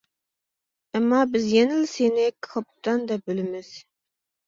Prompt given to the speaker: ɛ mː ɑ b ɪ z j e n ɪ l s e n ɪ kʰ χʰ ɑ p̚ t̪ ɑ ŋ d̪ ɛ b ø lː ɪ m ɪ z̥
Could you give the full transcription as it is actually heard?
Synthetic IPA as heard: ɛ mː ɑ b ɪ z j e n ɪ l s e n ɪ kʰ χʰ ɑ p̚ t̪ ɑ n d̪ ɛ b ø l ɪ m ɪ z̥